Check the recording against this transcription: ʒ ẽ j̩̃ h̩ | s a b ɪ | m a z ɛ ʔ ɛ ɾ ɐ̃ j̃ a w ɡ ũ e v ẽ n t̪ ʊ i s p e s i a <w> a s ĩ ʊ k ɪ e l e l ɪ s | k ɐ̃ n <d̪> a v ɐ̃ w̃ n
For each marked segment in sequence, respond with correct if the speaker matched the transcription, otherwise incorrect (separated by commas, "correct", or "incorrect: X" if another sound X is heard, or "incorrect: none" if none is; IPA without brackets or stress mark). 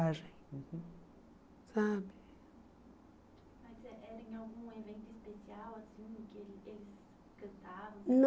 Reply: correct, incorrect: t̪